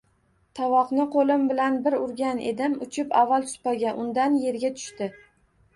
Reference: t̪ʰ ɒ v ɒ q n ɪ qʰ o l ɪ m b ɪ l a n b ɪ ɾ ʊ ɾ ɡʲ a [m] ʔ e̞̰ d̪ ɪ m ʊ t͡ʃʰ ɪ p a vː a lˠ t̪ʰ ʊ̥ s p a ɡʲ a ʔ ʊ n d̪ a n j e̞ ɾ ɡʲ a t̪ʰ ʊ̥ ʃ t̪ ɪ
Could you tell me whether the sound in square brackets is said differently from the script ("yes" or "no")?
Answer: yes